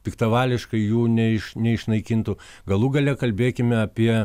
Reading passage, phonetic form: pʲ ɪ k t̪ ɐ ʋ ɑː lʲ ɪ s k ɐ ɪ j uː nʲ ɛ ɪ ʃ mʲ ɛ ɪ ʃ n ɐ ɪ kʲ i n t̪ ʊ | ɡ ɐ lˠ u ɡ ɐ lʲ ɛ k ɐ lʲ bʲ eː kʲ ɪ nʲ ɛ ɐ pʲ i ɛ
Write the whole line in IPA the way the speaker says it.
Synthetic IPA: pʲ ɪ k t̪ ɐ ʋ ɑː lʲ ɪ ʃ k ɐ ɪ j uː nʲ ɛ ɪ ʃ nʲ ɛ ɪ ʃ n ɐ ɪ kʲ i n t̪ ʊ | ɡ ɐ lˠ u ɡ ɐ lʲ ɛ k ɐ lʲ bʲ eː kʲ ɪ mʲ ɛ ɐ pʲ i ɛ